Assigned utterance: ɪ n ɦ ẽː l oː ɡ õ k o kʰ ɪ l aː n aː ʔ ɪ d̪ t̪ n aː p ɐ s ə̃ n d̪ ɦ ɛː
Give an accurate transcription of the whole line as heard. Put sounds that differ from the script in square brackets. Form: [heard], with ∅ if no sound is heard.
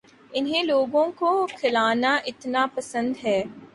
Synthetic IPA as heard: ɪ n ɦ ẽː l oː ɡ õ k o kʰ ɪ l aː n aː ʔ ɪ [∅] t̪ n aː p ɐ s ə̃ n d̪ ɦ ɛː